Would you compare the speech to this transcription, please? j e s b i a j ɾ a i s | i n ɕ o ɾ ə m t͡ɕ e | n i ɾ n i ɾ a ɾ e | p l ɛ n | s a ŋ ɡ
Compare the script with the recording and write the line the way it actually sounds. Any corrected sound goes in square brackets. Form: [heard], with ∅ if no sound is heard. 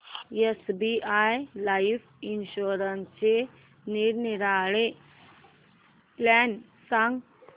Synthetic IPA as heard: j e s b i a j [l] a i [f] | i n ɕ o ɾ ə [n] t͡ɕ e | n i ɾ n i ɾ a [ɭ] e | p l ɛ n | s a ŋ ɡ